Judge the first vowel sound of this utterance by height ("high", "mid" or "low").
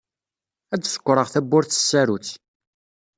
low